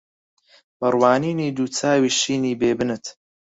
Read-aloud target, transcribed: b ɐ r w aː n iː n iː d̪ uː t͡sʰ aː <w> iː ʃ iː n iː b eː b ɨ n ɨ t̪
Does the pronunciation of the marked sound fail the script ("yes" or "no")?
no